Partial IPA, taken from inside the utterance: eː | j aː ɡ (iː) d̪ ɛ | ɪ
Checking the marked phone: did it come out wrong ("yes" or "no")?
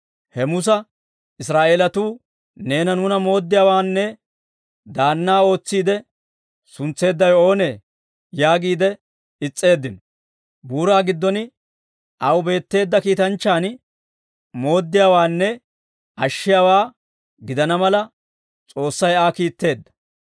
no